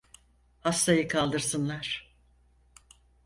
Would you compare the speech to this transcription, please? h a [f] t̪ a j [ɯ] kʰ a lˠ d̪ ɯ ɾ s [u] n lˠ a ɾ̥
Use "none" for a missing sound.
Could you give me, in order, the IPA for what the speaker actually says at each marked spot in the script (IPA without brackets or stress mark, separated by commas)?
s, ɯ, ɯ